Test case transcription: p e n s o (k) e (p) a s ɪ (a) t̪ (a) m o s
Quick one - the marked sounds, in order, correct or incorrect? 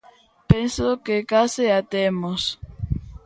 correct, incorrect, correct, incorrect

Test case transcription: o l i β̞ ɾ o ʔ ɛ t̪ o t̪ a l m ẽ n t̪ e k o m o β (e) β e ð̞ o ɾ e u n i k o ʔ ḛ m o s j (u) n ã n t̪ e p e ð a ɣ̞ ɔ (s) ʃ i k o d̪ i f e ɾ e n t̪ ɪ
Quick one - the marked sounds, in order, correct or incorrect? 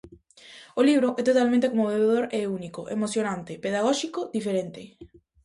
correct, incorrect, incorrect

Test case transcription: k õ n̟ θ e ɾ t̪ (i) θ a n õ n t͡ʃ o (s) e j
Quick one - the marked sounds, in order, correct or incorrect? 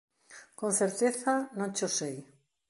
incorrect, correct

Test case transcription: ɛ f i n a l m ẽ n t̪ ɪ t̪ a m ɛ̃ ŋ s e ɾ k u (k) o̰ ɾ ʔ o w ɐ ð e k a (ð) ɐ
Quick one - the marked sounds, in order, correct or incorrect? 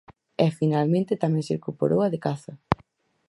incorrect, incorrect

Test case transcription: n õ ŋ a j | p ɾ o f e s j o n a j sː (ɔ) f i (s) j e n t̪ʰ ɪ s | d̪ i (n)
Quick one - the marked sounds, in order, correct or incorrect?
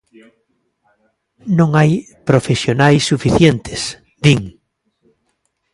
incorrect, incorrect, incorrect

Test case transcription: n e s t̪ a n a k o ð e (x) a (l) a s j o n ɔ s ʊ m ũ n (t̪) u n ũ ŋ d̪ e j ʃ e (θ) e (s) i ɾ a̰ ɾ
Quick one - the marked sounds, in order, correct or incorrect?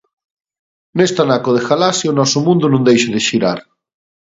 correct, correct, incorrect, incorrect, incorrect

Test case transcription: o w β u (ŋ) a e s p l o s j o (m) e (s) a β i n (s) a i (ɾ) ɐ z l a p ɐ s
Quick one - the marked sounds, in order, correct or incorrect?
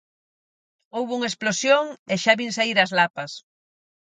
correct, incorrect, incorrect, correct, correct

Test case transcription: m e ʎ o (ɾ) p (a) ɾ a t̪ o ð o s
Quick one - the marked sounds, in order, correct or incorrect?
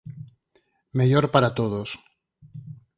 correct, correct

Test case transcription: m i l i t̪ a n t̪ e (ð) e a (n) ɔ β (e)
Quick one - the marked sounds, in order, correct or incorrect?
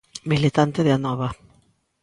correct, correct, incorrect

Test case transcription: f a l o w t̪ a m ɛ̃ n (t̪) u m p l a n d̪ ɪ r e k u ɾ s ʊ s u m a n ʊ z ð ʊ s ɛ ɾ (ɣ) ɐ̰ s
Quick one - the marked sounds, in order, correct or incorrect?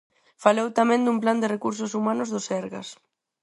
incorrect, correct

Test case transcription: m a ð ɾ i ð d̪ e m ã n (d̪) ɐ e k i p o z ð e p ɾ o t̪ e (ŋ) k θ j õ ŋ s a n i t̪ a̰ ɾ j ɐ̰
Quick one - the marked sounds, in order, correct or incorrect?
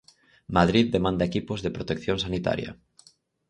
correct, incorrect

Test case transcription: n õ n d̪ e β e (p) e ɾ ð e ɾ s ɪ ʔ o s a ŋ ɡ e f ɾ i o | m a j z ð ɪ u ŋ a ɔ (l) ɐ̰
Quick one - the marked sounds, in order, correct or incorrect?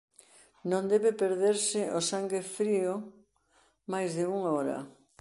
correct, incorrect

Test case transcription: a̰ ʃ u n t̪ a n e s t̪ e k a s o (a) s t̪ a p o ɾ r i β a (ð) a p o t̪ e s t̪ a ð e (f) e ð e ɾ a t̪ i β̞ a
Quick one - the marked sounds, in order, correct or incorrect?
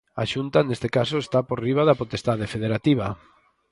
incorrect, correct, correct

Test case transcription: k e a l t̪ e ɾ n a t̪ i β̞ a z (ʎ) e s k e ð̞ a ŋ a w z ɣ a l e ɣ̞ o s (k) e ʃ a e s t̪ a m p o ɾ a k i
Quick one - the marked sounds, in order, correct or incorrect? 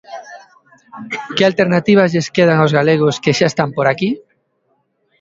correct, correct

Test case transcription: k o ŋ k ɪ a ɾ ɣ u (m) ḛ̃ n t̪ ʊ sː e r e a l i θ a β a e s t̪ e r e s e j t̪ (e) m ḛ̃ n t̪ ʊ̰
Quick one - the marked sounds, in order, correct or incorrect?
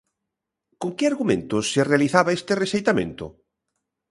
correct, incorrect

